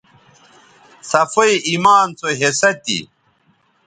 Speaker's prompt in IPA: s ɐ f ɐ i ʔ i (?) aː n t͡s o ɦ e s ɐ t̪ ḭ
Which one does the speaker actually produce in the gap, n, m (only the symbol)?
m